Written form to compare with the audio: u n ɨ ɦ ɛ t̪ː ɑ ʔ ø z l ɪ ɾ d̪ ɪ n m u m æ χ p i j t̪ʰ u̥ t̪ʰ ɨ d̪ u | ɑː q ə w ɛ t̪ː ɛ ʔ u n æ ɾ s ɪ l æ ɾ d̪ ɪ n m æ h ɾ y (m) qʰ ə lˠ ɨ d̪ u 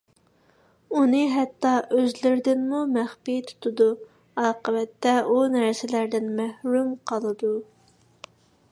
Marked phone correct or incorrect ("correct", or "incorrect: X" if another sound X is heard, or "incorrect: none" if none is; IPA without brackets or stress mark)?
correct